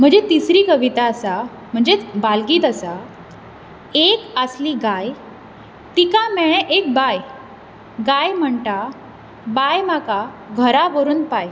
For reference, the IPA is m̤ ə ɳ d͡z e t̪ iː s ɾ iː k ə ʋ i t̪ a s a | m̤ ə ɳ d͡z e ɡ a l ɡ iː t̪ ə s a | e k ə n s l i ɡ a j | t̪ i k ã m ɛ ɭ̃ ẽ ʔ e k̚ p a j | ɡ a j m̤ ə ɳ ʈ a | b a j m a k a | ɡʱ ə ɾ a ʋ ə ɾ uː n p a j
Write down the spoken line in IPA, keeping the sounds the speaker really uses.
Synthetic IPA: m̤ ə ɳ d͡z e t̪ i s ɾ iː k ə ʋ i t̪ a s a | m̤ ə ɳ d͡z e b a l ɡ iː t̪ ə s a | e k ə s l i ɡ a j | t̪ i k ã m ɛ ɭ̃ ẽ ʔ e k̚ b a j | ɡ a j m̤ ə ɳ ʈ a | b a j m a k a | ɡʱ ə ɾ a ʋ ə ɾ uː n p a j